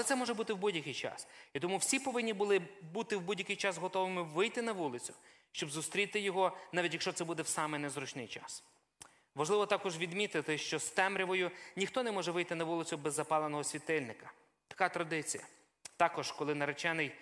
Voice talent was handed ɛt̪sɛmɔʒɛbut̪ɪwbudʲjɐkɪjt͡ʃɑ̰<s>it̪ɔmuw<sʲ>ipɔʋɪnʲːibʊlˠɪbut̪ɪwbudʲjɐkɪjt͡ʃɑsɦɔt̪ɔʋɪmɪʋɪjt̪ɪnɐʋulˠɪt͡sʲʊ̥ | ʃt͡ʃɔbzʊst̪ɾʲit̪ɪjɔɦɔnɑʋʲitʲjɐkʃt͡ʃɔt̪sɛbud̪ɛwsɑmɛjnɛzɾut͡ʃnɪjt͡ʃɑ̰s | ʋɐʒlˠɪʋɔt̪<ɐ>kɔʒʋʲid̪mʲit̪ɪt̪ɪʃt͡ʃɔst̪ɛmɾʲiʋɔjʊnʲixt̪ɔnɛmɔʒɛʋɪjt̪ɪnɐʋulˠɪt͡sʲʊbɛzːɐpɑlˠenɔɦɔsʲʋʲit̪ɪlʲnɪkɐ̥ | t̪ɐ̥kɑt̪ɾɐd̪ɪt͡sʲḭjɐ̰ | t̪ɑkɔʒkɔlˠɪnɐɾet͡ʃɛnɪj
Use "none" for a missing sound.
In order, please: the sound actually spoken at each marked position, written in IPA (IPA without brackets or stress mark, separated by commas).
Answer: s, sʲ, ɑ